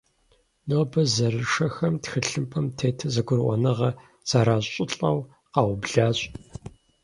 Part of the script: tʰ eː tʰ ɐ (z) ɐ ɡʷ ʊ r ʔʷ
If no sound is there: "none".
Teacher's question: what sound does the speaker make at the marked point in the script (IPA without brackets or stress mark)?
z